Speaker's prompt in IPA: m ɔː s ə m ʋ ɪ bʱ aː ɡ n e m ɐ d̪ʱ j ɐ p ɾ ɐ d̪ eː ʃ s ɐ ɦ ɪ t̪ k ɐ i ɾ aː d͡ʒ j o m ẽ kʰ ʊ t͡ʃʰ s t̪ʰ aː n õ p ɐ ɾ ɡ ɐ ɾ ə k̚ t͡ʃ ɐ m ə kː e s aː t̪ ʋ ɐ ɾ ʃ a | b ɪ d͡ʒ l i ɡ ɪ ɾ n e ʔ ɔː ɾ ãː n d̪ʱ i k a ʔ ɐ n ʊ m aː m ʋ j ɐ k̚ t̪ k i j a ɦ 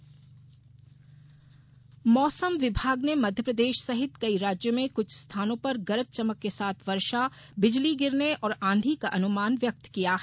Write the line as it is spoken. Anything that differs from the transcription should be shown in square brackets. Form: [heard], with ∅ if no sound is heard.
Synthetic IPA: m ɔː s ə m ʋ ɪ bʱ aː ɡ n e m ɐ d̪ʱ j [ə] p ɾ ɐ d̪ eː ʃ s ɐ ɦ ɪ t̪ k ɐ i ɾ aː d͡ʒ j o m ẽ [k] ʊ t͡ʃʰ s t̪ʰ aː n õ p ɐ ɾ ɡ ɐ ɾ ə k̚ t͡ʃ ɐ m ə kː e s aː [t̪ʰ] ʋ ɐ ɾ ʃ a | b ɪ d͡ʒ l i ɡ ɪ ɾ n e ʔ ɔː ɾ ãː n d̪ʱ i k a ʔ ɐ n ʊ m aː [n] ʋ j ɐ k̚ t̪ k i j a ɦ